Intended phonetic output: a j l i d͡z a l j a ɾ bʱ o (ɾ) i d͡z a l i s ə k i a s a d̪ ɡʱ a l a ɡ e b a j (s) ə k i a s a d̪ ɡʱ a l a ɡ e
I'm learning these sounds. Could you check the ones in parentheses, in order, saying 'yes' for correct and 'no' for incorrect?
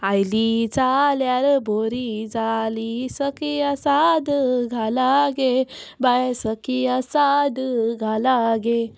yes, yes

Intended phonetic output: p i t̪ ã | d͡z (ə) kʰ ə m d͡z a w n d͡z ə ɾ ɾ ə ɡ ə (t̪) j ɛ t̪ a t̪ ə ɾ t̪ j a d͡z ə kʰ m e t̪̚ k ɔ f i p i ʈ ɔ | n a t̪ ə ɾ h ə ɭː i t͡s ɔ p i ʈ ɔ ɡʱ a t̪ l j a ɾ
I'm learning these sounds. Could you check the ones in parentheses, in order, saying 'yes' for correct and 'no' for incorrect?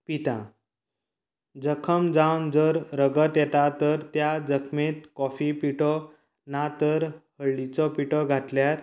yes, yes

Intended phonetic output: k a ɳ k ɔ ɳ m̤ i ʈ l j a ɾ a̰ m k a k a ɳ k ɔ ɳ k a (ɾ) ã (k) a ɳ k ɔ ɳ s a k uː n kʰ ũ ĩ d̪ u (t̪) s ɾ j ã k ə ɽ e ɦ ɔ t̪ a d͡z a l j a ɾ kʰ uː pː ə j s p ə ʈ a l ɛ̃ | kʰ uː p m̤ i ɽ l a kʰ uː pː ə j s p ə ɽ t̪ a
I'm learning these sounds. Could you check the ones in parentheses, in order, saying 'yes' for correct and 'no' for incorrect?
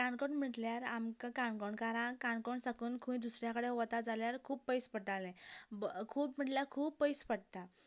yes, yes, no

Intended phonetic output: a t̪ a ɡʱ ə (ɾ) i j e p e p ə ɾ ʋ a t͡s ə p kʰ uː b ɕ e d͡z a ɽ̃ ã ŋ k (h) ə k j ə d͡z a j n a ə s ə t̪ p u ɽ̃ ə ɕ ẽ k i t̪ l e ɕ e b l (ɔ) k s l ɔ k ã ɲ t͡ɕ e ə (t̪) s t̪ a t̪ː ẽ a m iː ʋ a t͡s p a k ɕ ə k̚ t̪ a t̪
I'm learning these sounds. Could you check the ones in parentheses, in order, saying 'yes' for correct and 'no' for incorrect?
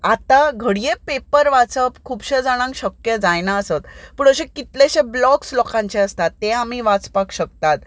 no, no, yes, no

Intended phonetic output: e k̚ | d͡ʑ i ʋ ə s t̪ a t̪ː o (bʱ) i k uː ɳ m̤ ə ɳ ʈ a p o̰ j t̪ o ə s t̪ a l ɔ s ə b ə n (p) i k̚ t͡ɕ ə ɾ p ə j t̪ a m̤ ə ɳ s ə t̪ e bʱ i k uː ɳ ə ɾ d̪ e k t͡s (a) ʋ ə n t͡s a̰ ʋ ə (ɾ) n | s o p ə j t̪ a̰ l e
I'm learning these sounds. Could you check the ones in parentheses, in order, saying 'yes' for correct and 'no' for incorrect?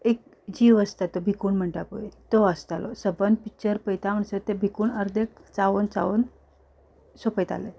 yes, yes, yes, no

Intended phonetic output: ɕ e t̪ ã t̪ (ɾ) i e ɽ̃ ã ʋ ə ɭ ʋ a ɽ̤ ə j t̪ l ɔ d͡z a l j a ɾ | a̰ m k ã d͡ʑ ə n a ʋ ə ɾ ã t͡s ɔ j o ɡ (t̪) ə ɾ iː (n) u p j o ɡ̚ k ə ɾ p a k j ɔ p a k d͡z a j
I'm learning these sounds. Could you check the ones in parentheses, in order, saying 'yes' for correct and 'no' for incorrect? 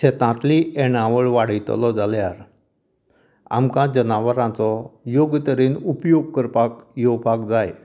no, yes, yes

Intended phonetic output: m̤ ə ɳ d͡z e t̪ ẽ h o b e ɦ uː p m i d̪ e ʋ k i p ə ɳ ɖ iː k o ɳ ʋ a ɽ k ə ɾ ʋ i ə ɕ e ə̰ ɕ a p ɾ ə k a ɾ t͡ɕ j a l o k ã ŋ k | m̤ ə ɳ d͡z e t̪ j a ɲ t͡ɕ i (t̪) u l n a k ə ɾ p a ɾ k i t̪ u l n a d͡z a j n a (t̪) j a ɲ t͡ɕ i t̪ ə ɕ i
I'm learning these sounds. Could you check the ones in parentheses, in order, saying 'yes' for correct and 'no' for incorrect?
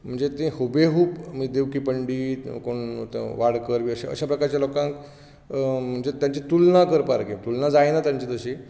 yes, yes

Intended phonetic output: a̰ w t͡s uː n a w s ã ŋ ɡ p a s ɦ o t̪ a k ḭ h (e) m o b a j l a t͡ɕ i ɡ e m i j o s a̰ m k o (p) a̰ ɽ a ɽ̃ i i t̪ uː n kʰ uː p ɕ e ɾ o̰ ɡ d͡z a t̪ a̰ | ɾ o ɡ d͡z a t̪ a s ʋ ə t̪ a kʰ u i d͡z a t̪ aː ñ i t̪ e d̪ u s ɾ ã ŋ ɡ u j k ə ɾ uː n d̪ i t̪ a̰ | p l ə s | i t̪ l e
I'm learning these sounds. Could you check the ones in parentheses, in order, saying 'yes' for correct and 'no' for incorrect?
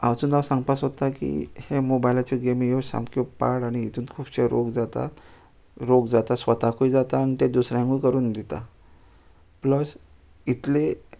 yes, yes

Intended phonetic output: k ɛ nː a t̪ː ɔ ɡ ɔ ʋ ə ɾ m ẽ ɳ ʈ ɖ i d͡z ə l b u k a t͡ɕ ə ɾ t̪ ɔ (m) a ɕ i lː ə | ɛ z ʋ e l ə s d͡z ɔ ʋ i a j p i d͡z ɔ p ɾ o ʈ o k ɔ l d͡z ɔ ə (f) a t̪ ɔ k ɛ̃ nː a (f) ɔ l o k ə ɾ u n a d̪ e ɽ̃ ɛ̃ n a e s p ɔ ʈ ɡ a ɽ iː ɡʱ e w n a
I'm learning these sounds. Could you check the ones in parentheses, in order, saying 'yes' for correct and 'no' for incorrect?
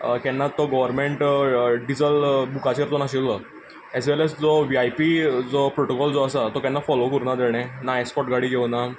no, no, yes

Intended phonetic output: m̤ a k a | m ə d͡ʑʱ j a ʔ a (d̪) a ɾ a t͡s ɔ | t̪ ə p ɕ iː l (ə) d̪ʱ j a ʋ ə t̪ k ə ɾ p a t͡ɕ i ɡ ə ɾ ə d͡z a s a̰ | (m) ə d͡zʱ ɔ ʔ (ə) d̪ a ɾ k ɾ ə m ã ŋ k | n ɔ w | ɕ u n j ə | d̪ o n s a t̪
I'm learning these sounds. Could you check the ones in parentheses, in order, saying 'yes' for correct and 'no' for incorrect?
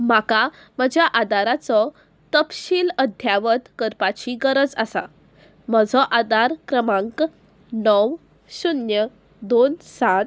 yes, yes, yes, no

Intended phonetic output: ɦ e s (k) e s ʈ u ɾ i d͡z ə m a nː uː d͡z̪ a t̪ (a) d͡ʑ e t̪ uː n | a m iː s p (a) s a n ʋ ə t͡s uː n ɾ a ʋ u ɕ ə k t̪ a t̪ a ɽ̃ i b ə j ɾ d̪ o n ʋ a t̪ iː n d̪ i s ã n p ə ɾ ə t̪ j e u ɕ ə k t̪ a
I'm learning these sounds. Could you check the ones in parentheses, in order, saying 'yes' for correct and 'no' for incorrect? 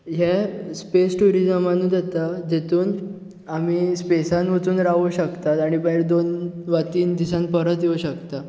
no, yes, no

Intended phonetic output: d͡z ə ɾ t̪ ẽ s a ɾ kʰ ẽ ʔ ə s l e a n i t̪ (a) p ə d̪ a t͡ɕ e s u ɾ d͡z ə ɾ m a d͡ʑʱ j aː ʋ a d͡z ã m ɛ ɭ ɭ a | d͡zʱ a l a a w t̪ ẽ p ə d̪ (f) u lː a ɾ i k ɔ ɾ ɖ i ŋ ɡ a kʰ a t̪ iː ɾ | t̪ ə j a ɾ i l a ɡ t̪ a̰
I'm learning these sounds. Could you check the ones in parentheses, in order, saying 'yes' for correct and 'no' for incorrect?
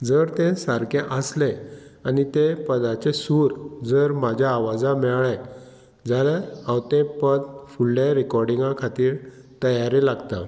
no, yes

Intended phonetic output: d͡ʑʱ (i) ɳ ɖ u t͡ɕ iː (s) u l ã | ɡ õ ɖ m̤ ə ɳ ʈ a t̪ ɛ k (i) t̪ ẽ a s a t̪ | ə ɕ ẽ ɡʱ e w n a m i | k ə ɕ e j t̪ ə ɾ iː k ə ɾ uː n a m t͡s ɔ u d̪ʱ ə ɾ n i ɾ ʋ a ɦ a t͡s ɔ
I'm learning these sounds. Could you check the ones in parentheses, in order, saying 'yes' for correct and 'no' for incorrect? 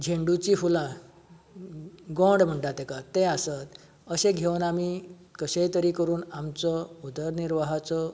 no, no, no

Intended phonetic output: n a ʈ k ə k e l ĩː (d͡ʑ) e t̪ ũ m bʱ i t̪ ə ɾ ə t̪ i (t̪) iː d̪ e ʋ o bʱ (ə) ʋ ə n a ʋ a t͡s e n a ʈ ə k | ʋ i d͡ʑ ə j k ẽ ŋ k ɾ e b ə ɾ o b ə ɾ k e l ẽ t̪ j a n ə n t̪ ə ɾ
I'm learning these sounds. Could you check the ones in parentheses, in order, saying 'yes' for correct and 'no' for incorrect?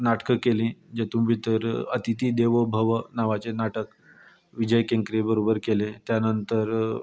yes, yes, yes

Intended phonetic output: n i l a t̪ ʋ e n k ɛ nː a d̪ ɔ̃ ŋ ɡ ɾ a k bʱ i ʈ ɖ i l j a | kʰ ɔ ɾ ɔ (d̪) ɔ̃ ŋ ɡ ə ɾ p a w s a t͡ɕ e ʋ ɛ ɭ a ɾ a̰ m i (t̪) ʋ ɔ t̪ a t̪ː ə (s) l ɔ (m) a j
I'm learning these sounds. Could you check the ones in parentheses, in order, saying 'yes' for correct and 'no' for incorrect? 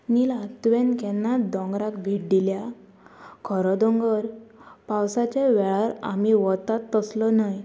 yes, no, yes, no

